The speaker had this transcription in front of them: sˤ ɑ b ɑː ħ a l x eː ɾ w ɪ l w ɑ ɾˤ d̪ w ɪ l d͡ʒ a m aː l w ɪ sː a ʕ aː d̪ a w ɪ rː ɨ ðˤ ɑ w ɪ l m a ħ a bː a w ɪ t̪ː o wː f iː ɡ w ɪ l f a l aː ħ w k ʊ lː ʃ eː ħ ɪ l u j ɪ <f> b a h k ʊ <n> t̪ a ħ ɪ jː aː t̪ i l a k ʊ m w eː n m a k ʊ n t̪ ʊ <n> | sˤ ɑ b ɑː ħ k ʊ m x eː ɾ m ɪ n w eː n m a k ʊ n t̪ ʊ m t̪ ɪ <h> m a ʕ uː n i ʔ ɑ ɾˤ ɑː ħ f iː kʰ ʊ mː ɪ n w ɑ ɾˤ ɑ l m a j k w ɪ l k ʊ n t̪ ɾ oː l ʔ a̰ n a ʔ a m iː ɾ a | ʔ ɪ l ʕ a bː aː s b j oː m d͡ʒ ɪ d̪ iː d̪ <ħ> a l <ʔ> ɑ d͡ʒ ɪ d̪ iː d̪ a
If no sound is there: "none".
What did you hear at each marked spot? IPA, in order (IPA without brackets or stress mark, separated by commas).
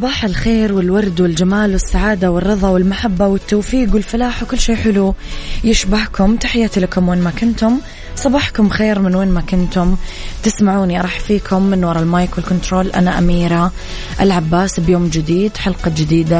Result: ʃ, m, m, s, ħ, q